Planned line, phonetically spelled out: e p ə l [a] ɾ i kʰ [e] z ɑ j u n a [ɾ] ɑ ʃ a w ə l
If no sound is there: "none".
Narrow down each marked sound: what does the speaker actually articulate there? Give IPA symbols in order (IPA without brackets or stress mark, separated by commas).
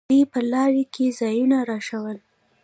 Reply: ɑ, e, ɾ